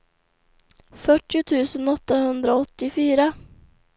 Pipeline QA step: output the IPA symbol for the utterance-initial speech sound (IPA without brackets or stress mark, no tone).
f